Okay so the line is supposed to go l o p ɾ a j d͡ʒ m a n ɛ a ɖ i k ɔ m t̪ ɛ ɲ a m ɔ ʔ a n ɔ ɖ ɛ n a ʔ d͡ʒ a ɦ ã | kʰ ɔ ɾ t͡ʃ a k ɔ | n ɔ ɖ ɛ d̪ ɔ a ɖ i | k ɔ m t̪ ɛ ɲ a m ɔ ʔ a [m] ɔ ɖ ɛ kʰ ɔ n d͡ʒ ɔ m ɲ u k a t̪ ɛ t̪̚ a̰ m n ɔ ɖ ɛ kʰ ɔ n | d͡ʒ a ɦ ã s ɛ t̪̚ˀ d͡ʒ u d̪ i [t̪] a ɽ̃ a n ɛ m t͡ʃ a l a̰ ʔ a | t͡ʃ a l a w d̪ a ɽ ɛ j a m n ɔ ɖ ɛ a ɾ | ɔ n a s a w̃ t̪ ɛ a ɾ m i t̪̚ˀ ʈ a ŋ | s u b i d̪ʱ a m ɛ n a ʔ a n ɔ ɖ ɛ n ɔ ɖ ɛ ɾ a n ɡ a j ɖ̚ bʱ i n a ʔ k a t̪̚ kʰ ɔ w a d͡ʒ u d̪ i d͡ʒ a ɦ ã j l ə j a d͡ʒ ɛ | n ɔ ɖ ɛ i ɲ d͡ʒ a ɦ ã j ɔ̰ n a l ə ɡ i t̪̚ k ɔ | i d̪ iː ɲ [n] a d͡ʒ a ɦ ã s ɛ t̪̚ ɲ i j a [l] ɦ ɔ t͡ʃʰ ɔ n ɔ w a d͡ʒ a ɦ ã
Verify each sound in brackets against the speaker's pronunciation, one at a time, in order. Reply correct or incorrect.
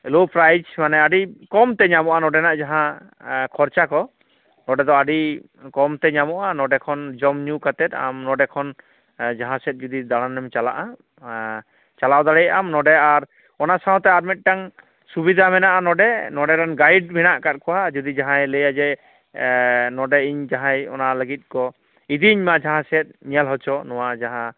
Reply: incorrect, incorrect, incorrect, correct

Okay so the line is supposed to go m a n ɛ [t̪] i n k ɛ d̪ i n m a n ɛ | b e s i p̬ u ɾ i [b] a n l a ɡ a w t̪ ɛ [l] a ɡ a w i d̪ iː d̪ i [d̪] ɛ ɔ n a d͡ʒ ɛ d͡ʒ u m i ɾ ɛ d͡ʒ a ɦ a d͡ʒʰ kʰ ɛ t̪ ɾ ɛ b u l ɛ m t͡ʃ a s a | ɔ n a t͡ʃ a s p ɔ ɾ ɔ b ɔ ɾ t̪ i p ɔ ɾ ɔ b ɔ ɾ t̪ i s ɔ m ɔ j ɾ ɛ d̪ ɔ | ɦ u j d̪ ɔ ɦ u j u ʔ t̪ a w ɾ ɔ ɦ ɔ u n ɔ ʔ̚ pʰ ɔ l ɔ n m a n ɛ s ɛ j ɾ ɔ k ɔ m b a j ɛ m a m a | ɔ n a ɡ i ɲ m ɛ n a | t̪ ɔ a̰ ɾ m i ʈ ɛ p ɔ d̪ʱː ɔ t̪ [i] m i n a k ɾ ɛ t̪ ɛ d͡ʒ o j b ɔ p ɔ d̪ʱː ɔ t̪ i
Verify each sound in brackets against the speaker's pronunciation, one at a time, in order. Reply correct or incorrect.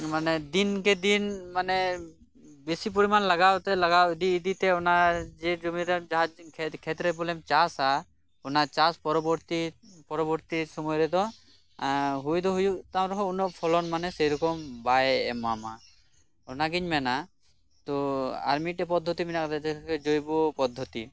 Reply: incorrect, incorrect, correct, incorrect, correct

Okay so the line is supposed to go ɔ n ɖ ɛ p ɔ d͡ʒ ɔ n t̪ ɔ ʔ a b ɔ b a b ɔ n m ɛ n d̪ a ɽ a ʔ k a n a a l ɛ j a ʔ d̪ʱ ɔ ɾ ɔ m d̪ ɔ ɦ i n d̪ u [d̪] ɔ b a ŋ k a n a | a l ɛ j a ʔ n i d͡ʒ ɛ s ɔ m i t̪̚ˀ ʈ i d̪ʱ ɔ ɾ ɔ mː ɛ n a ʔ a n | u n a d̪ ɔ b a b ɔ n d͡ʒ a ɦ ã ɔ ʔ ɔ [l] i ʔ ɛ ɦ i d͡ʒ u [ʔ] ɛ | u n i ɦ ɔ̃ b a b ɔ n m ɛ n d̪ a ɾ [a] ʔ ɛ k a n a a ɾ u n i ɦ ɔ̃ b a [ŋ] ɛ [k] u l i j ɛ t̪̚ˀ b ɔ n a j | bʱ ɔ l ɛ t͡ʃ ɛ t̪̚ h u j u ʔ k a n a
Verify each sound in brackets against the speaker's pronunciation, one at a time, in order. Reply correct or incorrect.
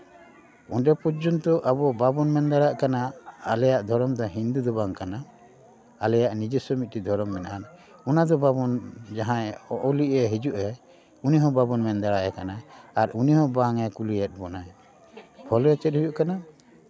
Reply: correct, correct, correct, correct, correct, correct

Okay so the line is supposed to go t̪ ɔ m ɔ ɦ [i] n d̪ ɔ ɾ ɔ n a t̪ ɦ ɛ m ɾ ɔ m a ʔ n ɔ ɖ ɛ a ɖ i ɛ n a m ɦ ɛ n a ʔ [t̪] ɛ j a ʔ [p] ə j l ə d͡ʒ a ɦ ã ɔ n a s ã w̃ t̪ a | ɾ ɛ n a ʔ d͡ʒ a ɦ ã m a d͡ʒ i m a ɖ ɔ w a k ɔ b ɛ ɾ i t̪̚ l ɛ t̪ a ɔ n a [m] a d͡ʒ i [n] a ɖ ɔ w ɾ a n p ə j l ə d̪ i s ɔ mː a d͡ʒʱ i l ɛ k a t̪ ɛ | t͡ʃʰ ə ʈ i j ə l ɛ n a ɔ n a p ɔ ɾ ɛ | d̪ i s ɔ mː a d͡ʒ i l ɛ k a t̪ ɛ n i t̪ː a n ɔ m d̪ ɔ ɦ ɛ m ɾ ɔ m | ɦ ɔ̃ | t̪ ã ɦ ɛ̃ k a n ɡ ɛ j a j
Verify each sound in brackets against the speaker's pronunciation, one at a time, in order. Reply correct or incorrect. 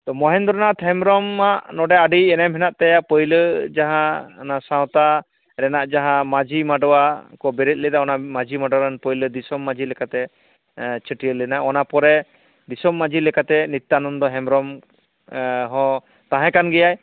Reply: incorrect, correct, correct, correct, incorrect

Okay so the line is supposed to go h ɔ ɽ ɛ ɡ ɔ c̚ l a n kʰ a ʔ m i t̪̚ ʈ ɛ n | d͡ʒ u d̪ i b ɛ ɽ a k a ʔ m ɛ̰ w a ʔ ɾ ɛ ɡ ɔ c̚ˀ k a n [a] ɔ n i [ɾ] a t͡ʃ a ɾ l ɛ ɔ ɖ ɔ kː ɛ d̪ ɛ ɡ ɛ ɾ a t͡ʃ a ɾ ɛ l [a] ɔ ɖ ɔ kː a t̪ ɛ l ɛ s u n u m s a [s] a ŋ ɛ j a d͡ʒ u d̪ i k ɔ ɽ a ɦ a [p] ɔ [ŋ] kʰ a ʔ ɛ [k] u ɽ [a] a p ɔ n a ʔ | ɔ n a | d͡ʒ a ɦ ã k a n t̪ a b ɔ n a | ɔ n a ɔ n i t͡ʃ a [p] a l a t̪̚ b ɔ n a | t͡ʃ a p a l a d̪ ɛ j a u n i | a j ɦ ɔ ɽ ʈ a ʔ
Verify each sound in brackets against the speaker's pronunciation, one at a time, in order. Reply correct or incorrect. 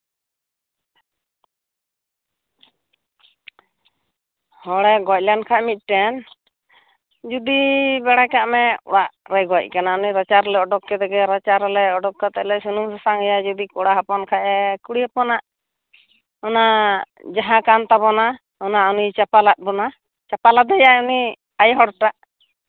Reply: correct, correct, incorrect, correct, correct, incorrect, correct, incorrect, correct

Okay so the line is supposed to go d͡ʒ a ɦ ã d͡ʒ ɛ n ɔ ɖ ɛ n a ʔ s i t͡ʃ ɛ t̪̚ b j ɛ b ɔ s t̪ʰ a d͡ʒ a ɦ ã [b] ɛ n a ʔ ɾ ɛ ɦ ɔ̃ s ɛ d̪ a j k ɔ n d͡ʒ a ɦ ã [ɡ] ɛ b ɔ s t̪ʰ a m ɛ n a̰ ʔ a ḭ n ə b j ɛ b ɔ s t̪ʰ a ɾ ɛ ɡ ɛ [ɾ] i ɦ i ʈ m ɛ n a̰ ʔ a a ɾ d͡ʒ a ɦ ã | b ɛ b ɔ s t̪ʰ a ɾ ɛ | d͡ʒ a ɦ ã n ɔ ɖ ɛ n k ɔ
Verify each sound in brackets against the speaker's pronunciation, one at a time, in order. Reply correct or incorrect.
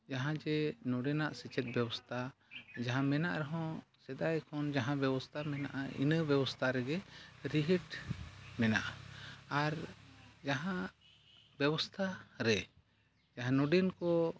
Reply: incorrect, incorrect, correct

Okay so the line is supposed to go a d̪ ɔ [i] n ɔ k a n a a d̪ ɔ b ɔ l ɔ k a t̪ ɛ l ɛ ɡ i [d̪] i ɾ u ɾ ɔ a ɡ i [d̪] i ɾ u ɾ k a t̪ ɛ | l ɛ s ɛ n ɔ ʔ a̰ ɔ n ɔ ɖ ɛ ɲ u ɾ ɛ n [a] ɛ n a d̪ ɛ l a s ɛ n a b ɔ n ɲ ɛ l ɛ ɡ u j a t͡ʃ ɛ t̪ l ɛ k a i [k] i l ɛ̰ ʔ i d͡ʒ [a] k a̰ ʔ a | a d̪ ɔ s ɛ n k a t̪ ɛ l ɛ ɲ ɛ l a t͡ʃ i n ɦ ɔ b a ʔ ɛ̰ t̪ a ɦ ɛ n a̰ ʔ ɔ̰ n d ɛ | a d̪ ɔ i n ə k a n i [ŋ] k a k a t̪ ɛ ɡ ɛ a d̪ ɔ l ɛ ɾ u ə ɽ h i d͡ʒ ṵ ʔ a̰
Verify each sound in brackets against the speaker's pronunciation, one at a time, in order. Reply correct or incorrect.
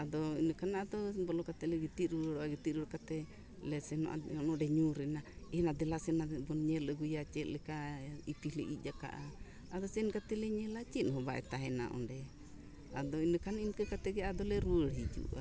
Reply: correct, incorrect, incorrect, correct, incorrect, correct, incorrect

